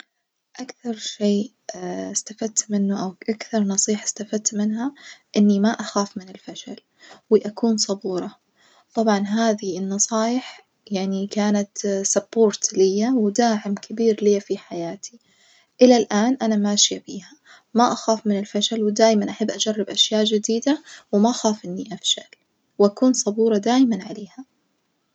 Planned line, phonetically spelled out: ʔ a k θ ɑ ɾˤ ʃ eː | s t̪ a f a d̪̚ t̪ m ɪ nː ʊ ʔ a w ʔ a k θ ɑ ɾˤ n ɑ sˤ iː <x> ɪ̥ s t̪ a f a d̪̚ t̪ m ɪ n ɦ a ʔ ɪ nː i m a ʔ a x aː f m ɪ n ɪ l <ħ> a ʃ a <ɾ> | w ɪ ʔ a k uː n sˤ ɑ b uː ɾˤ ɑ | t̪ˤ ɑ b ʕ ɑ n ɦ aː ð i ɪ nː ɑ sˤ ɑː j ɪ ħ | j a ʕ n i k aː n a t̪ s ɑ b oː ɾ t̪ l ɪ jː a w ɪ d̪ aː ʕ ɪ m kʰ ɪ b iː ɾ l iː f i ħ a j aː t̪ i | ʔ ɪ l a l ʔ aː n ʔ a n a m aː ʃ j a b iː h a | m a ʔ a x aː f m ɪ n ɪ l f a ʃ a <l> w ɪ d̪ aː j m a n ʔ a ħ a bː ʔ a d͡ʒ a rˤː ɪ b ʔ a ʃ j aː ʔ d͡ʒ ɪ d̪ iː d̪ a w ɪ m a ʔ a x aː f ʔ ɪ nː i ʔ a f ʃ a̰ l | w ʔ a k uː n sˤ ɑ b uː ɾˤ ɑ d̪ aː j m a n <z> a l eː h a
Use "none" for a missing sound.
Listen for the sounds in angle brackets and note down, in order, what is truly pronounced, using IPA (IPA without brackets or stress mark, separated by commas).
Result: ħ, f, l, l, ʕ